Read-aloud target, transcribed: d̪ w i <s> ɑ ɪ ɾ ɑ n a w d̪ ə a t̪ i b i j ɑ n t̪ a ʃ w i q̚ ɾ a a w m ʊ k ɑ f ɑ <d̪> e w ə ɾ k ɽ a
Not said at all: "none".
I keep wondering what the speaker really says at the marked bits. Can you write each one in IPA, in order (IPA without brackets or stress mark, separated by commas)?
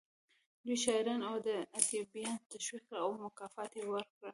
ʃ, t̪